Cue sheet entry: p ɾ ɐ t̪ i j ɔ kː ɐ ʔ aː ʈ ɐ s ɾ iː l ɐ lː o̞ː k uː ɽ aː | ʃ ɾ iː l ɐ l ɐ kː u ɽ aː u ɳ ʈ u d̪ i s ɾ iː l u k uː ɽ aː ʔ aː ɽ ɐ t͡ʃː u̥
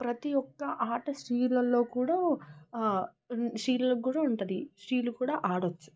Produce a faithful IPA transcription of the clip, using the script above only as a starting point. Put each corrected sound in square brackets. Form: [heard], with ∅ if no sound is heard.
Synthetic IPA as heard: p ɾ ɐ t̪ i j ɔ kː ɐ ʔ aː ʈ ɐ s ɾ iː l ɐ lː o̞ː k uː ɽ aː | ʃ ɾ iː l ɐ l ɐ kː [uː] ɽ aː u ɳ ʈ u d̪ i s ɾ iː l u k uː ɽ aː ʔ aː ɽ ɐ t͡ʃː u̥